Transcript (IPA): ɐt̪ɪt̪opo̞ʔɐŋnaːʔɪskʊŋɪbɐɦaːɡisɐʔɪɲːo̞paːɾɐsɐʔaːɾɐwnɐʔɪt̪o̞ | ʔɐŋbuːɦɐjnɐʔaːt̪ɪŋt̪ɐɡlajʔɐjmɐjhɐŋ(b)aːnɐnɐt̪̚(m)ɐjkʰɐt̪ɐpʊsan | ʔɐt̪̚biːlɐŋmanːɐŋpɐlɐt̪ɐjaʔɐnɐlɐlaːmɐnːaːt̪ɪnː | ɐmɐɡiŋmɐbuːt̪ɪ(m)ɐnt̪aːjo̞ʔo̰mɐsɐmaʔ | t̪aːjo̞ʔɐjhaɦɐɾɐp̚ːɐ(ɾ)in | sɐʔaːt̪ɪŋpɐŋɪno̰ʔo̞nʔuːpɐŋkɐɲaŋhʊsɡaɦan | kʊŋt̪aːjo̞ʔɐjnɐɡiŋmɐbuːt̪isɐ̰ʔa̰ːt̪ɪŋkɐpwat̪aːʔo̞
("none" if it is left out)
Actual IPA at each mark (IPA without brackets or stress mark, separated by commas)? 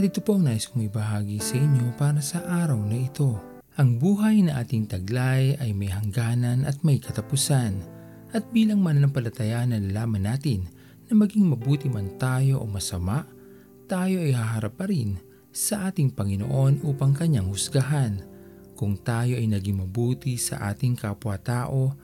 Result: ɡ, m, m, ɾ